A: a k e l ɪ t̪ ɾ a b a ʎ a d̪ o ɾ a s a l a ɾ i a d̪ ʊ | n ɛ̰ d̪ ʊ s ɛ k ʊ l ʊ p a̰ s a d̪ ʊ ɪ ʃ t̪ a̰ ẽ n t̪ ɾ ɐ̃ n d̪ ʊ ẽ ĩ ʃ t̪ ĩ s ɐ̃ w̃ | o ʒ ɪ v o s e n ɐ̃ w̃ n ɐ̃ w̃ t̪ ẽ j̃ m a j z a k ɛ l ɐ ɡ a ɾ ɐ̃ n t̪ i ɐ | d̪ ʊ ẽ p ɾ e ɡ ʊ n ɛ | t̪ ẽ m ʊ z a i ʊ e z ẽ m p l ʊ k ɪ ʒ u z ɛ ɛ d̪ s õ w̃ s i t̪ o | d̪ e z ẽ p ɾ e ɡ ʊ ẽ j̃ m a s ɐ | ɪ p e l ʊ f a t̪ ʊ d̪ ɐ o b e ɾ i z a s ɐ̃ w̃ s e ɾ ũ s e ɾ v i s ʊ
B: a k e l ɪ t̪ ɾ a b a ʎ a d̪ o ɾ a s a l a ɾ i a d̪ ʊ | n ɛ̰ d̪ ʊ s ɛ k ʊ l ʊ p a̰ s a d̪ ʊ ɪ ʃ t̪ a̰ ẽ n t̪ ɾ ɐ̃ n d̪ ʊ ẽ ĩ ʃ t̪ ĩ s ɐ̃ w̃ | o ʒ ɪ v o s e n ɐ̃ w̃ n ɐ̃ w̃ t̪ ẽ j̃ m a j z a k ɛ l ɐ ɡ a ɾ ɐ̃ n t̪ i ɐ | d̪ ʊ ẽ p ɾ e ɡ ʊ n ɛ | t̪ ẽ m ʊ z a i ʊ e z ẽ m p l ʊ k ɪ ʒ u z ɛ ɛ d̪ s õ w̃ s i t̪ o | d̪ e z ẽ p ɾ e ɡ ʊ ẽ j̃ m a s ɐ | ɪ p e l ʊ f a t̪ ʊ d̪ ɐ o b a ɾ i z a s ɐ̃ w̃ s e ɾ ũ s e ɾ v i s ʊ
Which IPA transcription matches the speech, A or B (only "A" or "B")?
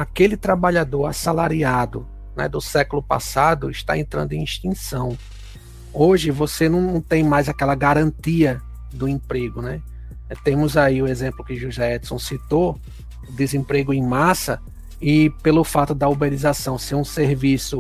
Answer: A